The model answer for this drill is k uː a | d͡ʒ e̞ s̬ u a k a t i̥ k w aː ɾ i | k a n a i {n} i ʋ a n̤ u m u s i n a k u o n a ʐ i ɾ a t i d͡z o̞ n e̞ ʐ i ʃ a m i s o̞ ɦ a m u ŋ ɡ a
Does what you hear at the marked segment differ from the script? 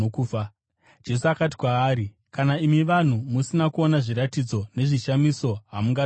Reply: yes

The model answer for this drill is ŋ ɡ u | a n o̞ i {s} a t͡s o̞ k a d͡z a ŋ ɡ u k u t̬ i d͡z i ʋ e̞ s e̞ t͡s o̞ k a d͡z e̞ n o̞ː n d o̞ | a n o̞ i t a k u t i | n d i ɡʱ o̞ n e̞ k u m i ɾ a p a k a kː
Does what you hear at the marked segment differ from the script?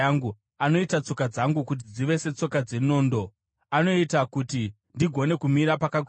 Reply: yes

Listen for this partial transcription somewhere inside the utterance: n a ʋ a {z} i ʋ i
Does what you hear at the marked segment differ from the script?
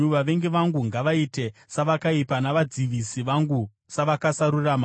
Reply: yes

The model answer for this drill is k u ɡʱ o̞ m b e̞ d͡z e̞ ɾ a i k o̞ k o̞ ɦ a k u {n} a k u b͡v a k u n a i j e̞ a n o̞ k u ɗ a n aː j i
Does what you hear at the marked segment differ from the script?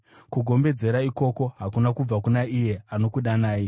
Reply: no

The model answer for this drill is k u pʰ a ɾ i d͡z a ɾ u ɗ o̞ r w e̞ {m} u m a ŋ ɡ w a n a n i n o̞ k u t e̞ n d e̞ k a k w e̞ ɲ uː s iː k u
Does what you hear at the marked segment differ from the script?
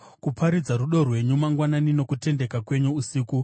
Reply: yes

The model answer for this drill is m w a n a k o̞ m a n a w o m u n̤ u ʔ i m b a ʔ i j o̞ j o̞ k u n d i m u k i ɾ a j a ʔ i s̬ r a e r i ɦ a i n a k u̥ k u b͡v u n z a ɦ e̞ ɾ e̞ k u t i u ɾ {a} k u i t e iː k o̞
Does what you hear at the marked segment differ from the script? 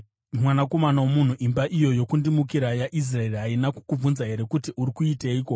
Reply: yes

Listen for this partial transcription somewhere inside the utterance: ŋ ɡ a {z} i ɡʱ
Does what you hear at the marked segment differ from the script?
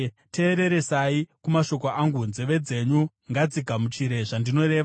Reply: yes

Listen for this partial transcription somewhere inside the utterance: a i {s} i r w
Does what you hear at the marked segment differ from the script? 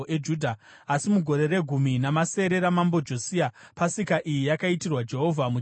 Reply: yes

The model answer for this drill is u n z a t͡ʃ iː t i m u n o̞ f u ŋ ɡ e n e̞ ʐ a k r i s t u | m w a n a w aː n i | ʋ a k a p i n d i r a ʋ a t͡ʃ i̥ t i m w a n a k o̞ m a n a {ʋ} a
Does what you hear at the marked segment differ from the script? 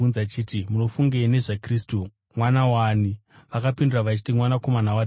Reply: yes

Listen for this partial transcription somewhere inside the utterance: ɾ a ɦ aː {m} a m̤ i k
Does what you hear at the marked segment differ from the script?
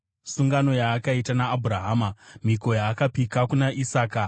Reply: no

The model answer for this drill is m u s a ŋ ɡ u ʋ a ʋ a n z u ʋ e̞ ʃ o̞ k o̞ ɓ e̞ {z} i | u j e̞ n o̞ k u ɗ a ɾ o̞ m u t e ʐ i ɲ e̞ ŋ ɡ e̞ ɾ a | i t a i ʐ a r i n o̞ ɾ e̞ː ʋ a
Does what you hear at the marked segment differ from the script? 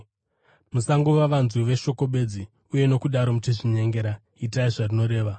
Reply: yes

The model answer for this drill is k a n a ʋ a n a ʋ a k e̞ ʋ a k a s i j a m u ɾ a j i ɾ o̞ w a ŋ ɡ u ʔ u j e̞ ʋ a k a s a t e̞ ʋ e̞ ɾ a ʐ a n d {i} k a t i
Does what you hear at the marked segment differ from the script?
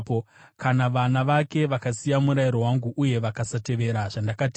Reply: yes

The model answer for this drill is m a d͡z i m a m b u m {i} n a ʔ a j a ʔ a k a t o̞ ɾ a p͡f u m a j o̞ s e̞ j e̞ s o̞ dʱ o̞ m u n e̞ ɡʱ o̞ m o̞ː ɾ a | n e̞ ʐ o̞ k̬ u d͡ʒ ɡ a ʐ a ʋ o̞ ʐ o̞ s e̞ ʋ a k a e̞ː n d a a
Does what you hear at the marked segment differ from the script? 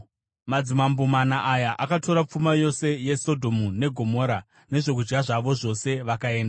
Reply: yes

